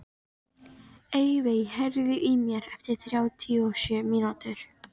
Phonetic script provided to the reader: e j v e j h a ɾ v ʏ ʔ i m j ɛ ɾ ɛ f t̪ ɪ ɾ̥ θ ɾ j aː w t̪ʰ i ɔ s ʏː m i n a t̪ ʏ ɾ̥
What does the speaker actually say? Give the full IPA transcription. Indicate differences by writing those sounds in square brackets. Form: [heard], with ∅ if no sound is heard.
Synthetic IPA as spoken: e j v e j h [ɛ] ɾ [ð] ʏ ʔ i m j ɛ ɾ ɛ f t̪ ɪ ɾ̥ θ ɾ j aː w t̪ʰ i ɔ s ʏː m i n a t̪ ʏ ɾ̥